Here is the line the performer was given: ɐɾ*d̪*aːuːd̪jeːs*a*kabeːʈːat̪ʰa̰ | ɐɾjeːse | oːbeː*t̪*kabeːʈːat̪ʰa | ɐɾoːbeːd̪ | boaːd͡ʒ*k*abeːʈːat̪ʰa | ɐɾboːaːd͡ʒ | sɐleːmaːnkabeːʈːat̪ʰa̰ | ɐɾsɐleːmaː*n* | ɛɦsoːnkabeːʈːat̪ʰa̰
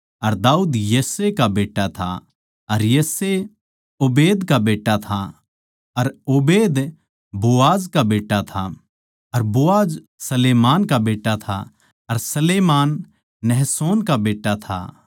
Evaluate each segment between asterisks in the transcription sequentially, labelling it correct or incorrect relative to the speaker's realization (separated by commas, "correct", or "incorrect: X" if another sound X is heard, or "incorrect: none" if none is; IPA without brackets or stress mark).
correct, incorrect: e, incorrect: d̪, correct, incorrect: nː